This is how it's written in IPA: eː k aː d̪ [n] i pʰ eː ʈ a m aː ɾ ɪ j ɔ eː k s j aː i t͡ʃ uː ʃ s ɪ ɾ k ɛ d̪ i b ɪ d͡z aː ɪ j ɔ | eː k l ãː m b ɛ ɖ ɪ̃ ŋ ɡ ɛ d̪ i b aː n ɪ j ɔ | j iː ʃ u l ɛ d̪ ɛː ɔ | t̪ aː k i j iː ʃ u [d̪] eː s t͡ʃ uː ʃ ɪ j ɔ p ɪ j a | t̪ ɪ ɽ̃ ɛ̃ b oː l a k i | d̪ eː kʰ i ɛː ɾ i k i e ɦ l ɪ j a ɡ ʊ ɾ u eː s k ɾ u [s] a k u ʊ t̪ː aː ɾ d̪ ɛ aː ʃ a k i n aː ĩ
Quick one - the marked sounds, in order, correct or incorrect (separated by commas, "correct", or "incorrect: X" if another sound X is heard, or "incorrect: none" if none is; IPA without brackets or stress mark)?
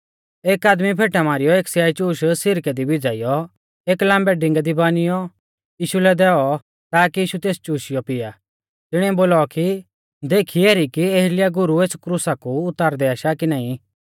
incorrect: m, incorrect: t̪, correct